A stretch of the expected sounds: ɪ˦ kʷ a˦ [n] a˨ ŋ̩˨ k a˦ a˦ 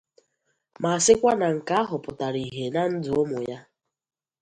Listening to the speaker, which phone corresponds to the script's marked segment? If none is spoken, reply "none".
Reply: n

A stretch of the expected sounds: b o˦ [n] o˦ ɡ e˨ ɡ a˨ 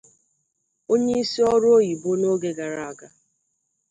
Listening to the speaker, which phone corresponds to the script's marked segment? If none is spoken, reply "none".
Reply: n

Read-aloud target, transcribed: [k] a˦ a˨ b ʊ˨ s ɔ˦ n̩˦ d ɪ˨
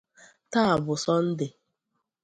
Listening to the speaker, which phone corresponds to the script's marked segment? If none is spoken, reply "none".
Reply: t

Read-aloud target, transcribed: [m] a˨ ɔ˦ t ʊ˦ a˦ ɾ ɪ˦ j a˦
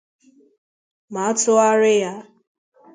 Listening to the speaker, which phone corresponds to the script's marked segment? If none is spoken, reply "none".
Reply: m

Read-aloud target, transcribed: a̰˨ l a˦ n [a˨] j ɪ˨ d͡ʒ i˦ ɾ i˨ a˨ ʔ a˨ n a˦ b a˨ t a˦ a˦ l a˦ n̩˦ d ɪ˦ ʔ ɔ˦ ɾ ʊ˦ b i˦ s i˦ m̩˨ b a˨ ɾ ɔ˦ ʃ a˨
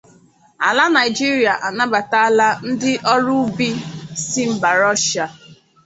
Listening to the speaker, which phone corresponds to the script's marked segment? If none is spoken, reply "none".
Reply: a˨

